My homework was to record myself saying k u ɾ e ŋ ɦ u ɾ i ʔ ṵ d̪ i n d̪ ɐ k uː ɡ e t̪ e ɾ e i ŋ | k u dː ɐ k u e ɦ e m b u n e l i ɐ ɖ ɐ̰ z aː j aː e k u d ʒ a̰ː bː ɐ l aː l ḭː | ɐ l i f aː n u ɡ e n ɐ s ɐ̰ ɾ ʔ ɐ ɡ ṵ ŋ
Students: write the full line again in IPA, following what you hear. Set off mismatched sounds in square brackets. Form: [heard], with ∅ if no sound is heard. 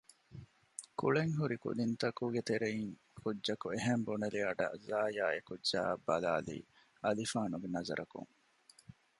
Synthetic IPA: k u [ɭ] e ŋ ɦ u ɾ i [k] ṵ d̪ i n [t̪] ɐ k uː ɡ e t̪ e ɾ e i ŋ | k u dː ɐ k u e ɦ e m b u n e l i ɐ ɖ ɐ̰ z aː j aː e k u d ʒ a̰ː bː ɐ l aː l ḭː | ɐ l i f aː n u ɡ e n ɐ [z] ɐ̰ ɾ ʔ ɐ [k] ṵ ŋ